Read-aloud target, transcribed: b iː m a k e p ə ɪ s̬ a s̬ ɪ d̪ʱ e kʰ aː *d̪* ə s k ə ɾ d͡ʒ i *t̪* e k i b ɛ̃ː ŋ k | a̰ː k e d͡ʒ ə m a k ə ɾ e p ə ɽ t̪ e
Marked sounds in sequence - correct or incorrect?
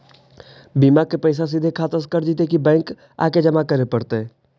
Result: incorrect: t̪, correct

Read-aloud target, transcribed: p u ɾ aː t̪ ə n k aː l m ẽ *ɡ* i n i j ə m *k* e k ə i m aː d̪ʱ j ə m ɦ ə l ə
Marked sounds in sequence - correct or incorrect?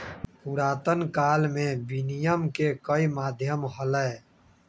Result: incorrect: b, correct

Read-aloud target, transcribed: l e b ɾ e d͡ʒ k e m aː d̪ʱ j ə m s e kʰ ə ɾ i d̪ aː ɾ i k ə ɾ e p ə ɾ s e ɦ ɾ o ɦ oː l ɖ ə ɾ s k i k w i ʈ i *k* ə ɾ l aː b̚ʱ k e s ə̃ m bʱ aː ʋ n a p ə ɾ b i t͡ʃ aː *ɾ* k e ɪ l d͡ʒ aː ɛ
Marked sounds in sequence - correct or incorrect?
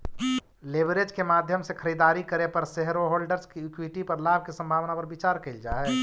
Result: incorrect: p, correct

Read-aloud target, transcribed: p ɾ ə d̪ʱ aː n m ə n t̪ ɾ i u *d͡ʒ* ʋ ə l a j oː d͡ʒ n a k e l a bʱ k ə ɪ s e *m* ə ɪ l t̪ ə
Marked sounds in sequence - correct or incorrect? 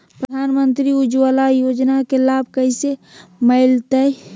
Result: correct, correct

